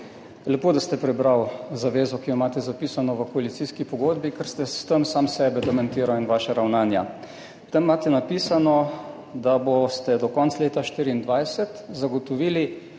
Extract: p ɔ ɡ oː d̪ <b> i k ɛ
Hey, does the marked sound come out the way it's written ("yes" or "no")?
yes